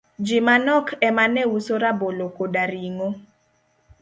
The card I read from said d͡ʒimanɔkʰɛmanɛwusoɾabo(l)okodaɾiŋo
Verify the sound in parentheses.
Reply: correct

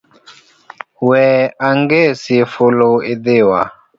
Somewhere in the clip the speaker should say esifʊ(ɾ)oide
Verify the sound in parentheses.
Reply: incorrect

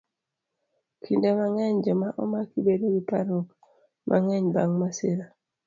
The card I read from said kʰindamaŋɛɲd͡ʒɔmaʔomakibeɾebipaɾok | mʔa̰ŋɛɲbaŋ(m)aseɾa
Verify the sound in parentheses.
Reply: correct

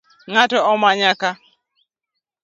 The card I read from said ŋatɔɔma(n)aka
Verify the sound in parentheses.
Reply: incorrect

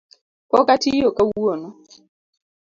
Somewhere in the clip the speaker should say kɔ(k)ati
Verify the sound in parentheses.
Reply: correct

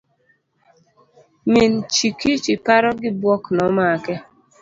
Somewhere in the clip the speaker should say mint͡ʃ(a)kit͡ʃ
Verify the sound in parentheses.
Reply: incorrect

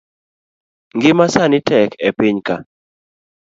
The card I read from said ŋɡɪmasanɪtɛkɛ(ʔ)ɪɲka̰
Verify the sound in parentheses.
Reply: incorrect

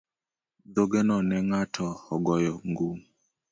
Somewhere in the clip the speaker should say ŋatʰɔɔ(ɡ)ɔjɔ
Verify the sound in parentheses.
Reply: correct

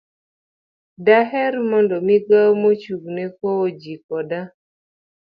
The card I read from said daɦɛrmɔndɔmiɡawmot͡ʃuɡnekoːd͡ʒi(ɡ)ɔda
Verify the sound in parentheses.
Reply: incorrect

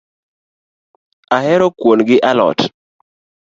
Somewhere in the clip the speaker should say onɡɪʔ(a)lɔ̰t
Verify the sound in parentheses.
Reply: correct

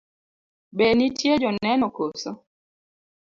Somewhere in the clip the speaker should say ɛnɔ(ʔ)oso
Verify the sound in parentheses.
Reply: incorrect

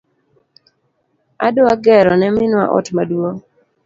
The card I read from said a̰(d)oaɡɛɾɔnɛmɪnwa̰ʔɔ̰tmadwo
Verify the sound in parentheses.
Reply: correct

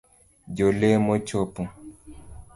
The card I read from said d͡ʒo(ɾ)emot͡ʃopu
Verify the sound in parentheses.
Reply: incorrect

